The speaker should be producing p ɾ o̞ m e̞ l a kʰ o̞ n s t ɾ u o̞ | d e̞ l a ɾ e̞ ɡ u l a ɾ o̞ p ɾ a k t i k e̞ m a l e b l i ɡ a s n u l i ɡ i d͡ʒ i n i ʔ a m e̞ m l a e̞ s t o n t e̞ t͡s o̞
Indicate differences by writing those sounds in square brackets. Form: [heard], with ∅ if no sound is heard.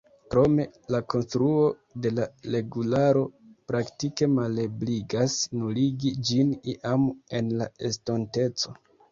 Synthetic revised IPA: [k] ɾ o̞ m e̞ l a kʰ o̞ n s t ɾ u o̞ | d e̞ l a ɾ e̞ ɡ u l a ɾ o̞ p ɾ a k t i k e̞ m a l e b l i ɡ a s n u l i ɡ i d͡ʒ i n i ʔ a m e̞ [n] l a e̞ s t o n t e̞ t͡s o̞

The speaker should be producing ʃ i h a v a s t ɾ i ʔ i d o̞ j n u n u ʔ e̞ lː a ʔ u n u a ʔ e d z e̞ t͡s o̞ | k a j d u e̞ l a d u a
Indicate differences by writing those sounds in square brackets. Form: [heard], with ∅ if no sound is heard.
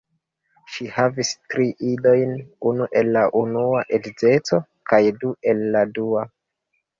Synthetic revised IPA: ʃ i h a v [i] s t ɾ i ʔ i d o̞ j n u n u ʔ e̞ lː a ʔ u n u a ʔ e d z e̞ t͡s o̞ | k a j d u e̞ [lː] a d u a

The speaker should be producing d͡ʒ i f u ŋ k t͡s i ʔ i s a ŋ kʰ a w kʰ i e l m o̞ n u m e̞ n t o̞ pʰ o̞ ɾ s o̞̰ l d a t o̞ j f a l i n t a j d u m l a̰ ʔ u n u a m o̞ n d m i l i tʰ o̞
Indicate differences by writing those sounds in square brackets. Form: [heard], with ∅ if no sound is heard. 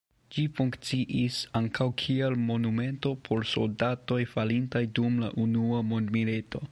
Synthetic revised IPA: d͡ʒ i f u ŋ k t͡s i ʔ i s a ŋ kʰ a w kʰ i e l m o̞ n u m e̞ n t o̞ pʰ o̞ ɾ s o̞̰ l d a t o̞ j f a l i n t a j d u m l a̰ ʔ u n u a m o̞ n d m i l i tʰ o̞

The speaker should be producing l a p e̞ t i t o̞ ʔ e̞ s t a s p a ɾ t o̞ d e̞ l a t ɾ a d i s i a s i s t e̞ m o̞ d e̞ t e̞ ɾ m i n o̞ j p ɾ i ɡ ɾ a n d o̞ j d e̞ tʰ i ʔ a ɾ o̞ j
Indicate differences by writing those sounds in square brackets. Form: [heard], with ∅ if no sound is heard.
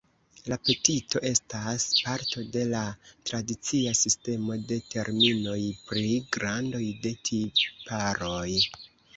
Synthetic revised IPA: l a p e̞ t i t o̞ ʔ e̞ s t a s p a ɾ t o̞ d e̞ l a t ɾ a d i [t͡s] i a s i s t e̞ m o̞ d e̞ t e̞ ɾ m i n o̞ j p ɾ i ɡ ɾ a n d o̞ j d e̞ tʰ i [p] a ɾ o̞ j

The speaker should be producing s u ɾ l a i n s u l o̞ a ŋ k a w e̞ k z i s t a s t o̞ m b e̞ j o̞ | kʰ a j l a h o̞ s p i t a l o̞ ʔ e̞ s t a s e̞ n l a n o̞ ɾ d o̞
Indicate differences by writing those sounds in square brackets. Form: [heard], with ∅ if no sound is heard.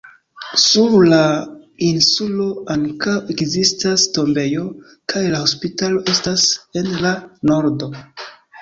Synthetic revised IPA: s u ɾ l a i n s u l o̞ a ŋ k a w e̞ k z i s t a s t o̞ m b e̞ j o̞ | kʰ a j l a h o̞ s p i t a l o̞ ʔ e̞ s t a s e̞ n l a n o̞ ɾ d o̞

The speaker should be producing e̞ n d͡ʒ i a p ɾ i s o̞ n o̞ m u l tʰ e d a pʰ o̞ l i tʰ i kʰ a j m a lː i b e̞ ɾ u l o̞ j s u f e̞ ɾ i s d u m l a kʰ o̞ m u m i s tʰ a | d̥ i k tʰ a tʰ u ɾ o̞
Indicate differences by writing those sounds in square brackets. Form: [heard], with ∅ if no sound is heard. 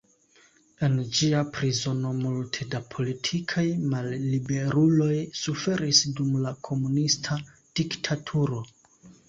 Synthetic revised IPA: e̞ n d͡ʒ i a p ɾ i [z] o̞ n o̞ m u l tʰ e d a pʰ o̞ l i tʰ i kʰ a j m a lː i b e̞ ɾ u l o̞ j s u f e̞ ɾ i s d u m l a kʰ o̞ m u [n] i s tʰ a | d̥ i k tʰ a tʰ u ɾ o̞

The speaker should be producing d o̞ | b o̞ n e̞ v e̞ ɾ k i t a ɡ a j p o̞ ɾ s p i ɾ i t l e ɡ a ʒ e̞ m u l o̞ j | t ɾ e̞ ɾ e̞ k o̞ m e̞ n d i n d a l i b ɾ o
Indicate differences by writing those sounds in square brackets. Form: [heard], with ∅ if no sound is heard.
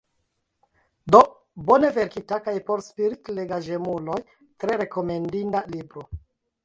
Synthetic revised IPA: d o̞ | b o̞ n e̞ v e̞ ɾ k i t a [k] a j p o̞ ɾ s p i ɾ i t l e ɡ a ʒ e̞ m u l o̞ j | t ɾ e̞ ɾ e̞ k o̞ m e̞ n d i n d a l i b ɾ o

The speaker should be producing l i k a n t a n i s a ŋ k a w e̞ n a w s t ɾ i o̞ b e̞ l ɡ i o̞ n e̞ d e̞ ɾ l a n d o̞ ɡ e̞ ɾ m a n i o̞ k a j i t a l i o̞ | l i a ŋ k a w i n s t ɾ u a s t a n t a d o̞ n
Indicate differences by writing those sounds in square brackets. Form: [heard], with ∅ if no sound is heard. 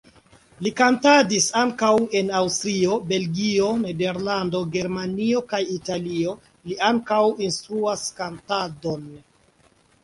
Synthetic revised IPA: l i k a n t a [d] i s a ŋ k a w e̞ n a w s t ɾ i o̞ b e̞ l ɡ i o̞ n e̞ d e̞ ɾ l a n d o̞ ɡ e̞ ɾ m a n i o̞ k a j i t a l i o̞ | l i a ŋ k a w i n s t ɾ u a s [k] a n t a d o̞ n

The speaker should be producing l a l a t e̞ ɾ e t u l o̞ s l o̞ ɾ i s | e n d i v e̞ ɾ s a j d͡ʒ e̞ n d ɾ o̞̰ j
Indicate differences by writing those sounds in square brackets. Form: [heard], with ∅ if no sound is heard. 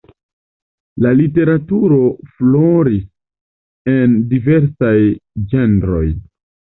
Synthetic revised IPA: l a l [i] t e̞ ɾ [a] t u [ɾ] o̞ [f] l o̞ ɾ i s | e n d i v e̞ ɾ s a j d͡ʒ e̞ n d ɾ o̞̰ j

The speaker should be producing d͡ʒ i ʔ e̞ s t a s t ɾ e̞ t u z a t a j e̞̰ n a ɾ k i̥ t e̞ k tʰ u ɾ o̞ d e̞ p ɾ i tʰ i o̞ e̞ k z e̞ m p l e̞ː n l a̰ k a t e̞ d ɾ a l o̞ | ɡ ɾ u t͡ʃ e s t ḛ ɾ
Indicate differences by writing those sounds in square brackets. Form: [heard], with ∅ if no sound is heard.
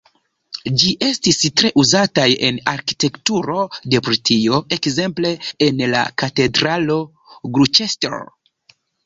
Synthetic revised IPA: d͡ʒ i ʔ e̞ s t [i] s t ɾ e̞ [ʔ] u z a t a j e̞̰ n a ɾ k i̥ t e̞ k [t] u ɾ o̞ d e̞ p ɾ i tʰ i o̞ e̞ k z e̞ m p l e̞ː n l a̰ k a t e̞ d ɾ a l o̞ | ɡ ɾ u t͡ʃ e s t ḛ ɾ

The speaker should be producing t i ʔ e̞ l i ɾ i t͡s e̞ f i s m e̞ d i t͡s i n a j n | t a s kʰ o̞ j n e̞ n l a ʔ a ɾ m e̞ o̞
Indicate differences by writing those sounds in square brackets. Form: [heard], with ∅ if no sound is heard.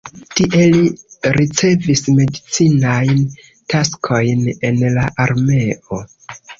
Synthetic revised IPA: t i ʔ e̞ l i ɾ i t͡s e̞ [v] i s m e̞ d i t͡s i n a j n | t a s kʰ o̞ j n e̞ n l a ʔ a ɾ m e̞ o̞

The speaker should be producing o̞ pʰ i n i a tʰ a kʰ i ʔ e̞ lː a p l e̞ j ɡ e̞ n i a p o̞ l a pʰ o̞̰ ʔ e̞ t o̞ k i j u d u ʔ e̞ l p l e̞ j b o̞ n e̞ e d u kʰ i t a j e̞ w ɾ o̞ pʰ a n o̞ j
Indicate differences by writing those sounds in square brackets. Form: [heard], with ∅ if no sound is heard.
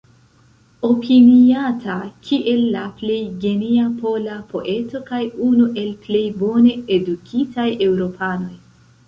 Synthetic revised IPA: o̞ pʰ i n i a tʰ a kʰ i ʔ e̞ lː a p l e̞ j ɡ e̞ n i a p o̞ l a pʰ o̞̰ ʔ e̞ t o̞ k [a] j u [n] u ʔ e̞ l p l e̞ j b o̞ n e̞ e d u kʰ i t a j e̞ w ɾ o̞ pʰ a n o̞ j

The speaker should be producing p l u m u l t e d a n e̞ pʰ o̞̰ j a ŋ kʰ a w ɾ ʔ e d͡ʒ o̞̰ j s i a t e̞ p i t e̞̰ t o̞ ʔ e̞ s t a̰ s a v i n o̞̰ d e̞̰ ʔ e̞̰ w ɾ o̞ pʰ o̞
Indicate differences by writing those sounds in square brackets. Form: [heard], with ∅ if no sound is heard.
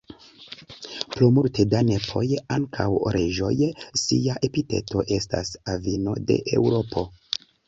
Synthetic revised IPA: p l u m u l t e d a n e̞ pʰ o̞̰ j a ŋ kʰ a w ɾ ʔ e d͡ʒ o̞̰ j s i a [ʔ] e̞ p i t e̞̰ t o̞ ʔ e̞ s t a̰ s a v i n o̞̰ d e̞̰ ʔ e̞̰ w ɾ o̞ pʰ o̞

